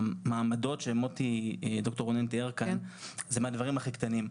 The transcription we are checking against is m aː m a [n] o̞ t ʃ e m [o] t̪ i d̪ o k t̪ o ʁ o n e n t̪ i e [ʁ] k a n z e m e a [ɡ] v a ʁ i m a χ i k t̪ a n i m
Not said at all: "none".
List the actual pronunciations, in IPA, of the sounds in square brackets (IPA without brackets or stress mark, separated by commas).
d, o, ʁ, d